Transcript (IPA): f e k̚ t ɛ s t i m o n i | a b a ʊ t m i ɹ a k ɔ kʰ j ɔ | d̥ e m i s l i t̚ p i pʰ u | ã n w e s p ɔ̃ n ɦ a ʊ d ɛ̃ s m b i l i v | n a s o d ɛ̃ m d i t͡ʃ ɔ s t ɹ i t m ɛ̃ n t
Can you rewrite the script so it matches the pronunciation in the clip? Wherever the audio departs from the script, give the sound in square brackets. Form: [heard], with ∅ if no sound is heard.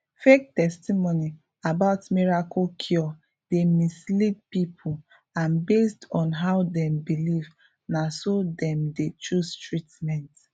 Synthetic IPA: f e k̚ t ɛ s t i m o n i | a b a ʊ t m i ɹ a k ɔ kʰ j ɔ | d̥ e m i s l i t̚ p i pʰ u | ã n [b] e s [t] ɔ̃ n ɦ a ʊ d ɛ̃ [∅] m b i l i v | n a s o d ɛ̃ m d [e] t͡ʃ [u] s t ɹ i t m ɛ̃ n t